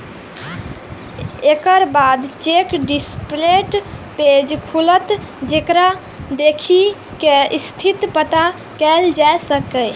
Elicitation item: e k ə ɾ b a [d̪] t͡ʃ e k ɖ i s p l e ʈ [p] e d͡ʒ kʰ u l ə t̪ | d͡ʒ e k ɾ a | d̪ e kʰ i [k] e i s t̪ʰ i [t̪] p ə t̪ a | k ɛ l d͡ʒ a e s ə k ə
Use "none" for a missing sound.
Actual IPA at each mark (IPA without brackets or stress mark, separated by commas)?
d̪, p, k, t̪